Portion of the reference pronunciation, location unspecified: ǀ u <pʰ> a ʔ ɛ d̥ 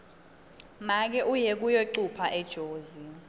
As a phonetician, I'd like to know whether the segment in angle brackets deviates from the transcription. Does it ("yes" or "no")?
no